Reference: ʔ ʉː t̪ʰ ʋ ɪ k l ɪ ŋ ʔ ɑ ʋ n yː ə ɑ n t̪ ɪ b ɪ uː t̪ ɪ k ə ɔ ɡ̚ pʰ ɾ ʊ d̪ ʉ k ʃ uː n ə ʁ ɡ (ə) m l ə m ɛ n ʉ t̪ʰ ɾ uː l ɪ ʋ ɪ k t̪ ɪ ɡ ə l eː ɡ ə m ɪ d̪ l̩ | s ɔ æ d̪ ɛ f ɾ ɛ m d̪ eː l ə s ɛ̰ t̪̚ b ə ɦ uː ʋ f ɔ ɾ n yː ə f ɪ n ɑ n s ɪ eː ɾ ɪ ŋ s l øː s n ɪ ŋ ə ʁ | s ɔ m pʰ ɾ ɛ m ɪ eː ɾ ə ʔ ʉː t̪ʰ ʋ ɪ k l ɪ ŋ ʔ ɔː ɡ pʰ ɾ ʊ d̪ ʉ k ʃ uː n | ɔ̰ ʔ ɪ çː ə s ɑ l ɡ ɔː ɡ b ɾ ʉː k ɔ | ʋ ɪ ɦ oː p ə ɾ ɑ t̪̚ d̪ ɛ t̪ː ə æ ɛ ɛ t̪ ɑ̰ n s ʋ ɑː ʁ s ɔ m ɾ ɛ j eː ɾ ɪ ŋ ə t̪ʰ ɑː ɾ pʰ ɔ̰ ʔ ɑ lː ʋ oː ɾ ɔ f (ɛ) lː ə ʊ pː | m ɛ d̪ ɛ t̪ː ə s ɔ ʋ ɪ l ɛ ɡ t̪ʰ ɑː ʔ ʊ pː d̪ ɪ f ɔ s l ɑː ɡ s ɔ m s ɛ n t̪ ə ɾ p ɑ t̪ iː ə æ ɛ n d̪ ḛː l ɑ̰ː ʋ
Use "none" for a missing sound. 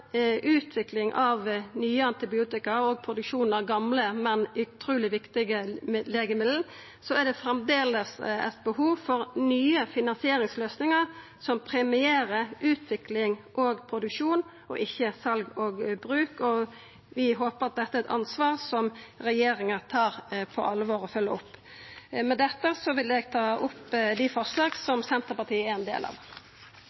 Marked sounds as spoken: ɑ, œ

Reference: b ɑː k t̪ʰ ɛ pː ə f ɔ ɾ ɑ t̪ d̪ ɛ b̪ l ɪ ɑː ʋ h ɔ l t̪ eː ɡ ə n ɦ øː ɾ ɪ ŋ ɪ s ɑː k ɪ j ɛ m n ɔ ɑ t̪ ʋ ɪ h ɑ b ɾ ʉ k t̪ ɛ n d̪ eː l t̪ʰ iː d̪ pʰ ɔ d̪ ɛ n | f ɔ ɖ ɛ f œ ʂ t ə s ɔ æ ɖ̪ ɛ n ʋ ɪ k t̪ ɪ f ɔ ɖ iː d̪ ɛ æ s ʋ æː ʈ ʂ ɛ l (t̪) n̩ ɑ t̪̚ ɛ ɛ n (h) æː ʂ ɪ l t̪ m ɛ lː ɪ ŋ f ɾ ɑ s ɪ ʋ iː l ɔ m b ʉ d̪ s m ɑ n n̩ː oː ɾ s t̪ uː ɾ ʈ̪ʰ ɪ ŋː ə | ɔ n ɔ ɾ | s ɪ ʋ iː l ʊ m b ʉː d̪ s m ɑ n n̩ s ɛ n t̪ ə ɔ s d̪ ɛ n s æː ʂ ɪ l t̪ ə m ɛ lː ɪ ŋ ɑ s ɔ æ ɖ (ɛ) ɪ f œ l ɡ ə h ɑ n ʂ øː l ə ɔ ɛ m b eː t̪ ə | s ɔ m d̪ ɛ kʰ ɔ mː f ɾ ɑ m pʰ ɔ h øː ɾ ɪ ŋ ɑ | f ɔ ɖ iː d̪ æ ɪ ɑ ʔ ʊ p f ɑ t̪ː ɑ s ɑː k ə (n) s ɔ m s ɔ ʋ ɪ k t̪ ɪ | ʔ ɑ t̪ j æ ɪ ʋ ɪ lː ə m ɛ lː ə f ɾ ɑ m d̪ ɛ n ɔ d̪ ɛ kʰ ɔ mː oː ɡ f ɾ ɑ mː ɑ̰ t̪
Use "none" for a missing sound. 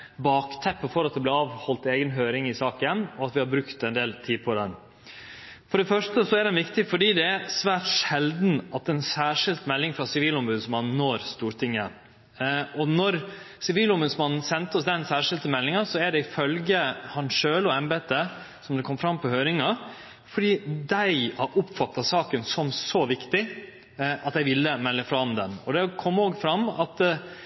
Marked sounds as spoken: d̪, s, ɛ, n

